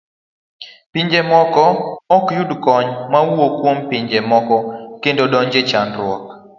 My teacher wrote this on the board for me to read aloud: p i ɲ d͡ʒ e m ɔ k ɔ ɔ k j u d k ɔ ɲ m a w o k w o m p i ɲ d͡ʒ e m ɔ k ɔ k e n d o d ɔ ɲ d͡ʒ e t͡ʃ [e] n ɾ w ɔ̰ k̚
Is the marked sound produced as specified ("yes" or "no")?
no